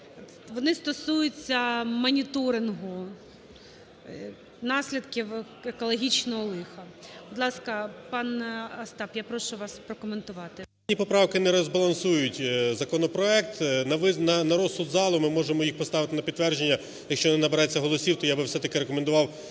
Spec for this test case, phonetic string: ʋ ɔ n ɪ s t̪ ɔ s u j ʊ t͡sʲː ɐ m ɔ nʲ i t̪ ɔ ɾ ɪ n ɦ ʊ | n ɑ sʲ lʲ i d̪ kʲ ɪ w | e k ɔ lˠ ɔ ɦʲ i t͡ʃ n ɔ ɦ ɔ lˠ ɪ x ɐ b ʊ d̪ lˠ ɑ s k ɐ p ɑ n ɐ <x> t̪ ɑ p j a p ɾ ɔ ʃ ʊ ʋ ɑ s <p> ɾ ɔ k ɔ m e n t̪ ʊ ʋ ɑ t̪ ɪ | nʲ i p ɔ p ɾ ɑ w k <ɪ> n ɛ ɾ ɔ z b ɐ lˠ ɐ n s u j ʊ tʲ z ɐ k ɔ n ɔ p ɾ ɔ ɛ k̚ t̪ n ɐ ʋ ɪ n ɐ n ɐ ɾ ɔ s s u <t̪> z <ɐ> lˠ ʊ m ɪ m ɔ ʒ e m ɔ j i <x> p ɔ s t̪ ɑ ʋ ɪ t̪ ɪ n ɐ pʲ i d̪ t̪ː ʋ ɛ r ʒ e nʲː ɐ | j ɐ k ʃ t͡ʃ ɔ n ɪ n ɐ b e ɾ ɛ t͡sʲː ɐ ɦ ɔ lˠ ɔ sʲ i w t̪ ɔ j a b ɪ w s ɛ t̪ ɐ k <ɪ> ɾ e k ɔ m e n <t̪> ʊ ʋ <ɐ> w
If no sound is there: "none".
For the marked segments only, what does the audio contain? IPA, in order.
s, p, ɪ, d̪, ɑ, x, ɪ, d̪, ɑ

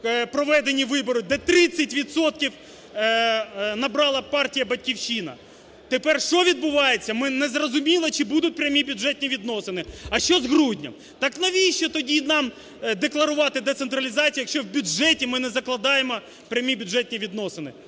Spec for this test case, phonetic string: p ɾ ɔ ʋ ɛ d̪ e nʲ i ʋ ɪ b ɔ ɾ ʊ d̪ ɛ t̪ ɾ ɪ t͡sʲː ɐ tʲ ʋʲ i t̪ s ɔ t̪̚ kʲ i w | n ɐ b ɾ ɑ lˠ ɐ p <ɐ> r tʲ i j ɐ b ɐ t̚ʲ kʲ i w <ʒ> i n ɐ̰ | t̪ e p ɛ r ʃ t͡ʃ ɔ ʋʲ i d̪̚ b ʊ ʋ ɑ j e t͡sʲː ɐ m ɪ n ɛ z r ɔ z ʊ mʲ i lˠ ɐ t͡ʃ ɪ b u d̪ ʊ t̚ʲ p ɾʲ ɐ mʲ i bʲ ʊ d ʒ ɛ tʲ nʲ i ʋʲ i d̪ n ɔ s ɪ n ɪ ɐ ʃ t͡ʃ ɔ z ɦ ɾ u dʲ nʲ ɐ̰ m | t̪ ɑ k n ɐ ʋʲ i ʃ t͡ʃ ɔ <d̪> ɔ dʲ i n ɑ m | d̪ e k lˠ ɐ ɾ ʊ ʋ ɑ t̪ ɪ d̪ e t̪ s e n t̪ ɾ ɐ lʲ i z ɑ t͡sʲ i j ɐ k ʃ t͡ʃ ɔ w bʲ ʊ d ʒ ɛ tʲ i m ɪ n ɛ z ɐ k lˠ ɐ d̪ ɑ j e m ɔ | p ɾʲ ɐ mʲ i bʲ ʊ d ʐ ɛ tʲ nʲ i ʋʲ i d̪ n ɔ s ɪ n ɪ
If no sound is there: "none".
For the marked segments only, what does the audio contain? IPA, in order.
ɑ, ʃ, t̪

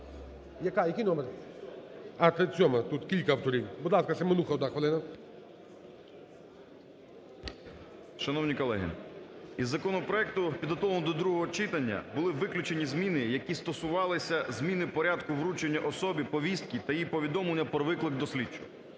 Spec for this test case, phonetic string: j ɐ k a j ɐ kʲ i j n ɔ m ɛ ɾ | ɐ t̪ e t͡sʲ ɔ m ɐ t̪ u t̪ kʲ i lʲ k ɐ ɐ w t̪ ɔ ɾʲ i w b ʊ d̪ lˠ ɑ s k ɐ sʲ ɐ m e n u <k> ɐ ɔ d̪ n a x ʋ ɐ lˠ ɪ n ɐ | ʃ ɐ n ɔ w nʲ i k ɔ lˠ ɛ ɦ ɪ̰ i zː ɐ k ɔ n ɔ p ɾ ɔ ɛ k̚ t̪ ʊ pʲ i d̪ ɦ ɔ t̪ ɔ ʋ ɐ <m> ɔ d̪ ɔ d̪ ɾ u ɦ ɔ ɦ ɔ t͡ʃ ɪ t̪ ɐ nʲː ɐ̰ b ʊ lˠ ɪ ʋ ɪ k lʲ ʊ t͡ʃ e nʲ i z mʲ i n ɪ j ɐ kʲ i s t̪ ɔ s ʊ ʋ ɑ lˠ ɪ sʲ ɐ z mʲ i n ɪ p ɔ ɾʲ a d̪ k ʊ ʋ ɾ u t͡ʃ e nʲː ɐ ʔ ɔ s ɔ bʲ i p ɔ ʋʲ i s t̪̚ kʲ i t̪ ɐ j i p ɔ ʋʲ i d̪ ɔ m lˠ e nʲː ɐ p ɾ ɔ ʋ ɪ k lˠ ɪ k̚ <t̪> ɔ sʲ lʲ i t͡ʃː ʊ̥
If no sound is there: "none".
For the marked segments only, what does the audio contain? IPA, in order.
x, n, d̪

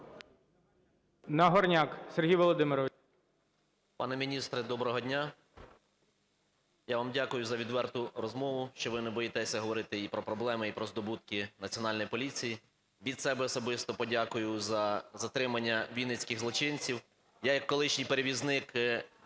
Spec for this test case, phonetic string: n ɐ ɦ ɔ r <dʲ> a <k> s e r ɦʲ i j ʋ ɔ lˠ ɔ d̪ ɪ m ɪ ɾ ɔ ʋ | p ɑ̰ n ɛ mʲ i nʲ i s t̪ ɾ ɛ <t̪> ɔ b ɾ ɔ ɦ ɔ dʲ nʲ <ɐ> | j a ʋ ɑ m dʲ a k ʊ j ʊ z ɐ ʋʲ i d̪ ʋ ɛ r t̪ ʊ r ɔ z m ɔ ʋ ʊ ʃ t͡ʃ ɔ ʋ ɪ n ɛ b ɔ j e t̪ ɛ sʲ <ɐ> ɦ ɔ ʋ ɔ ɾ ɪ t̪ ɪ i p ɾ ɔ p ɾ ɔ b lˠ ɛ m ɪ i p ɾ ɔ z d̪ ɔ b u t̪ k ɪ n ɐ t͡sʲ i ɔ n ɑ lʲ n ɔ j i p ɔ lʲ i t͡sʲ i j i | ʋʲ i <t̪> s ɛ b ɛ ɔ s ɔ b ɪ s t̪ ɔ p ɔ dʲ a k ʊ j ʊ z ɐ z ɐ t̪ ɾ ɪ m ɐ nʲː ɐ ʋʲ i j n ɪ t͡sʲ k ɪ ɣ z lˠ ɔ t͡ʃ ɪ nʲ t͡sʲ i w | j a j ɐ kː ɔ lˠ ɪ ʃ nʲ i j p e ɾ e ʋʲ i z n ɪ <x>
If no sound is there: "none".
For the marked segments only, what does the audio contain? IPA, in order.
nʲ, k, d̪, a, ɐ, d̪, k

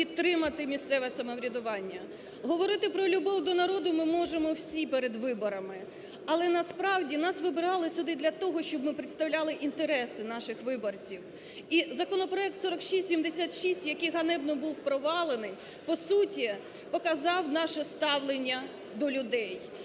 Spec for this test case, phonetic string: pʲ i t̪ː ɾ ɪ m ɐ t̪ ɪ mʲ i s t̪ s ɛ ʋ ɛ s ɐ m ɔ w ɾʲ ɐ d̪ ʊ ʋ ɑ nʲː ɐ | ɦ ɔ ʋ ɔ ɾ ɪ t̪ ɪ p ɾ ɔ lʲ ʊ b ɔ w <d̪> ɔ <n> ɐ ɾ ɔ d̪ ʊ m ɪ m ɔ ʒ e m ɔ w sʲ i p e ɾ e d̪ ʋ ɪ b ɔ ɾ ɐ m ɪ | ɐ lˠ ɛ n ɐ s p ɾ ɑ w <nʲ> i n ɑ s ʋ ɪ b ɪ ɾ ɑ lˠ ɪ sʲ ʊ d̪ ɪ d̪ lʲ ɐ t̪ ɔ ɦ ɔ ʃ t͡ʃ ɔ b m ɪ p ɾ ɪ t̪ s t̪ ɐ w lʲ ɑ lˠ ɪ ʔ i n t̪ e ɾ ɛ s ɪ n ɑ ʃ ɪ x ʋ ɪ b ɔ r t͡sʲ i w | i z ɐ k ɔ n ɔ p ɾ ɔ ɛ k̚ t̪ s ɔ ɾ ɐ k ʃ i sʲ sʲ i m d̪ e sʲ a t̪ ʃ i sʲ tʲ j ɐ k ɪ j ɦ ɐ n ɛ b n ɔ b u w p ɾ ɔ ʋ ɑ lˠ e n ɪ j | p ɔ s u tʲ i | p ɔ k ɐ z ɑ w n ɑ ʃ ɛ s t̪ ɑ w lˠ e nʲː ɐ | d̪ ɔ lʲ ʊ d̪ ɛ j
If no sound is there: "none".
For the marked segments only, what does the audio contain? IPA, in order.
d̪, n, dʲ

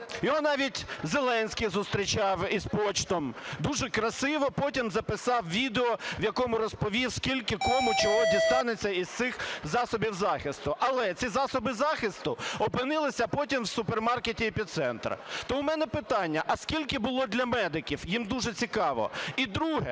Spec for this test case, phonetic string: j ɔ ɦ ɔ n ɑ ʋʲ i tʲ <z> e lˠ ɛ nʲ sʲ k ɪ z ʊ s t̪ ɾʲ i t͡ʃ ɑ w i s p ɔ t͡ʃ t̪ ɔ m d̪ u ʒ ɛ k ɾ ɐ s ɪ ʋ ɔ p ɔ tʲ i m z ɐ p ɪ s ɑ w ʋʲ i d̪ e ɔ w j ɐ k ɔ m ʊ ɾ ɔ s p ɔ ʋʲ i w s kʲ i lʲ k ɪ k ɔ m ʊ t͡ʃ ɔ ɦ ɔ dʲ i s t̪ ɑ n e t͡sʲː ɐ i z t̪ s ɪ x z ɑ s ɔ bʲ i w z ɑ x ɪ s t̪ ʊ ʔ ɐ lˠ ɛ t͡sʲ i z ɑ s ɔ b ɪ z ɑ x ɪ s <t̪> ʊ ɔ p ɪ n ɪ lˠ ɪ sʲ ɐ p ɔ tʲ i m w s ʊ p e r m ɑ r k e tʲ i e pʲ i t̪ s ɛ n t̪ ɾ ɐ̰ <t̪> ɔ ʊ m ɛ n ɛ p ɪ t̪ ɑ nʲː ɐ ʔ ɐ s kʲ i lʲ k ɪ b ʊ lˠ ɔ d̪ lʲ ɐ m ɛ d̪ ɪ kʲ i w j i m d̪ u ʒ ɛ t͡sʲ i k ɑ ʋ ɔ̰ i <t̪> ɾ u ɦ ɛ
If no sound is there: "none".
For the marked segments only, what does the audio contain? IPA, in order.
z, t̪, t̪, d̪

